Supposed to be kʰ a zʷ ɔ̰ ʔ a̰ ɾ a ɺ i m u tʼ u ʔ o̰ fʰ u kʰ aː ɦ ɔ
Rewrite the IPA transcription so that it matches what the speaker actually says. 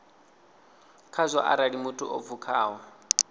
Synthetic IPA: kʰ a zʷ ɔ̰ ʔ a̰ ɾ a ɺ i m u tʼ u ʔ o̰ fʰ u kʰ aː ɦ ɔ